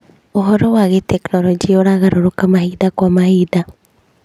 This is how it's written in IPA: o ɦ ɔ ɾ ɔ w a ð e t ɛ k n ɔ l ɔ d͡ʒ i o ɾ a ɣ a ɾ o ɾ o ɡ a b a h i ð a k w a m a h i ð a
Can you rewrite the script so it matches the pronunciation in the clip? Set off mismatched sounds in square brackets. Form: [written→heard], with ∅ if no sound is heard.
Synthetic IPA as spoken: o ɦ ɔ ɾ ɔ w a [ð→ɣ] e t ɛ k n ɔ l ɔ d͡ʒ i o ɾ a ɣ a ɾ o ɾ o [ɡ→k] a [b→m] a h i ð a k w a m a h i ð a